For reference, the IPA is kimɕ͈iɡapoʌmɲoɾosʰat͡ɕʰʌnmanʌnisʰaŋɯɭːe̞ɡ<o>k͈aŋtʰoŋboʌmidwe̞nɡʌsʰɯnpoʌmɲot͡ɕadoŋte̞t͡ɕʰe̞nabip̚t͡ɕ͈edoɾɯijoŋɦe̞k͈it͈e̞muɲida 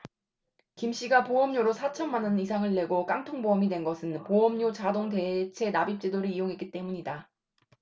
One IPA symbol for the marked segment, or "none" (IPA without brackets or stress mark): o